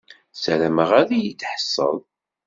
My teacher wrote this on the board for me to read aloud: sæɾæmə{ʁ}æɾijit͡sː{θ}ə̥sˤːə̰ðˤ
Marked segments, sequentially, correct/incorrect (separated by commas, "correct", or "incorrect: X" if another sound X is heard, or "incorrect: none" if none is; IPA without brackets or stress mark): correct, incorrect: ħ